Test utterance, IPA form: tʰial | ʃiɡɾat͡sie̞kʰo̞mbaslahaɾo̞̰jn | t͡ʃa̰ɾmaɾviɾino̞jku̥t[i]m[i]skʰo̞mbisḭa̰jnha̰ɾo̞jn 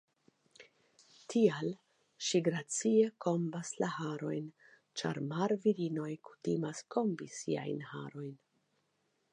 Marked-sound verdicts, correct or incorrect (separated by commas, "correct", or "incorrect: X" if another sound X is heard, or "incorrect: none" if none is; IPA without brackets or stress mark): correct, incorrect: a